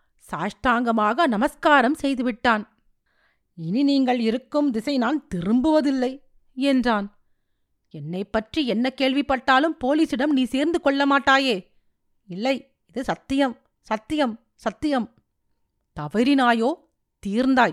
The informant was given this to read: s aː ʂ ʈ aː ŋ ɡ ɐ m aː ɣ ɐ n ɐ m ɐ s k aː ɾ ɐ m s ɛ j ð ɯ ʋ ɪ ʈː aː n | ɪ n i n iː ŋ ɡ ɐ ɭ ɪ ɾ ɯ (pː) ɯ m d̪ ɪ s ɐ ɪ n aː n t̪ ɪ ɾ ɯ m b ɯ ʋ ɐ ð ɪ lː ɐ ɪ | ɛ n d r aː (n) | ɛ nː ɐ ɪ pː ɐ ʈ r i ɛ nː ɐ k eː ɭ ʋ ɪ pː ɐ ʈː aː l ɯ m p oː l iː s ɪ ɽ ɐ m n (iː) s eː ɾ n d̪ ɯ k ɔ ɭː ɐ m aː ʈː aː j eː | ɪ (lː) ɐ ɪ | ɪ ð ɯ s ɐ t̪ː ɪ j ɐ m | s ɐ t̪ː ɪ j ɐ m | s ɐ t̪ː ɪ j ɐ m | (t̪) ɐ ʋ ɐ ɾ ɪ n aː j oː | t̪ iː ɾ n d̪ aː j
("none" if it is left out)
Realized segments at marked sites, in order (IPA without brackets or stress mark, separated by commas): kː, n, iː, lː, t̪